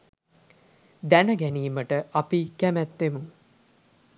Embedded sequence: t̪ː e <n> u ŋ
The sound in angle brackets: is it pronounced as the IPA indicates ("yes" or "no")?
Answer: no